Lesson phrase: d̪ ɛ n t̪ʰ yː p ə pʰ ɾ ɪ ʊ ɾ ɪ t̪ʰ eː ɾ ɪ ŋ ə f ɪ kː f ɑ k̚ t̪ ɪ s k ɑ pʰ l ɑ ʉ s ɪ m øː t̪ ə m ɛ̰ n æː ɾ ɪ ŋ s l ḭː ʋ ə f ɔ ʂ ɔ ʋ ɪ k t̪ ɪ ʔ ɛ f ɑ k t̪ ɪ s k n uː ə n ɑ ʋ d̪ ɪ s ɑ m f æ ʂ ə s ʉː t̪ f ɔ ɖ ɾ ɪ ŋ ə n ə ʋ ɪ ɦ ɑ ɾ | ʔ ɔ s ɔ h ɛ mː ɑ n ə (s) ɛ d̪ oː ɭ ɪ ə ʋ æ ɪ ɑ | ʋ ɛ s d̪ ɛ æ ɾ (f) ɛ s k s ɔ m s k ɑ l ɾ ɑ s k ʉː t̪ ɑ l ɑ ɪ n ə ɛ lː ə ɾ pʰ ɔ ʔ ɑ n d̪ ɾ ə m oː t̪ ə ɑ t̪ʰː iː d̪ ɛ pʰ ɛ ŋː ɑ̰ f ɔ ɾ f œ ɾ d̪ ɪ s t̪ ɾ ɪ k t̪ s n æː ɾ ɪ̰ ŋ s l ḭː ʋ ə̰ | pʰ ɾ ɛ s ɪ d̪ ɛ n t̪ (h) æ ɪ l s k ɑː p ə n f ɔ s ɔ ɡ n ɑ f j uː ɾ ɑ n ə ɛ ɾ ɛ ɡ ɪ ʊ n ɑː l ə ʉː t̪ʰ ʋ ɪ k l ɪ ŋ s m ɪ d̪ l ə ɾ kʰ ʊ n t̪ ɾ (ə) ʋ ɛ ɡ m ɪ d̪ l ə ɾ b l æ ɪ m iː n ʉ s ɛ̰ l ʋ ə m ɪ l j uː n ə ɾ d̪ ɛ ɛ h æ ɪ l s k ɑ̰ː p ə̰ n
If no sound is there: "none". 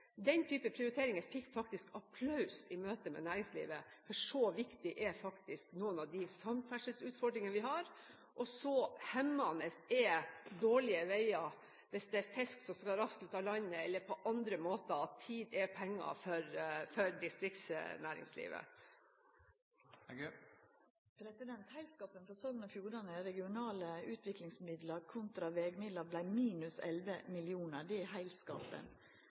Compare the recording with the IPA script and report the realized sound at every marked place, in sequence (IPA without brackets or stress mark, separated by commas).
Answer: s, f, h, ɑ